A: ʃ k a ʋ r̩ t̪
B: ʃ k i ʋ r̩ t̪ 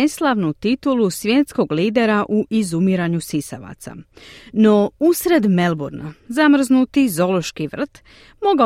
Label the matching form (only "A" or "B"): B